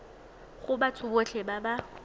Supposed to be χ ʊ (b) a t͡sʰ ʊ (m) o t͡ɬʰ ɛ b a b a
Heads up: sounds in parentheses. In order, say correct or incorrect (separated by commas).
correct, incorrect